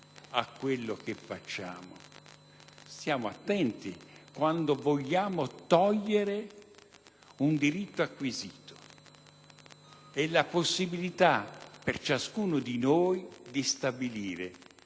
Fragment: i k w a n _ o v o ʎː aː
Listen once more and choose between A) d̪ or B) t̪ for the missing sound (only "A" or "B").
A